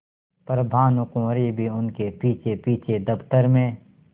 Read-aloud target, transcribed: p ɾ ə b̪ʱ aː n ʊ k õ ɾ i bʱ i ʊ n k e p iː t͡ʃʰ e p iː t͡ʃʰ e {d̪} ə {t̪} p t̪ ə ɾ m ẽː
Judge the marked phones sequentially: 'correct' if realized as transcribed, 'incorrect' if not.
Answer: correct, incorrect

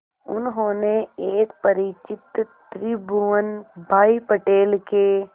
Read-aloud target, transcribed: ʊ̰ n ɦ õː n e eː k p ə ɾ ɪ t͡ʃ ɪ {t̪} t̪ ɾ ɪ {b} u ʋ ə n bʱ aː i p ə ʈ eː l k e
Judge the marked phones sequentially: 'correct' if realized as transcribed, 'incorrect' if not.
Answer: correct, correct

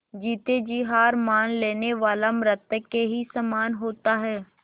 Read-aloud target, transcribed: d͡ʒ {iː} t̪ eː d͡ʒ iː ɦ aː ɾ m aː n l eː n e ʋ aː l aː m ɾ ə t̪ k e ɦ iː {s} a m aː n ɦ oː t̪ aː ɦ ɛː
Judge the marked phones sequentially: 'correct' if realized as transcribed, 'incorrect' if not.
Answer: correct, correct

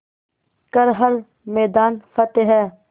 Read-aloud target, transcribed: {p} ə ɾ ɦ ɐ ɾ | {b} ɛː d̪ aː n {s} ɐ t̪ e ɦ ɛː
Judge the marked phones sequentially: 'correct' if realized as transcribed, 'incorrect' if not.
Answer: incorrect, incorrect, incorrect

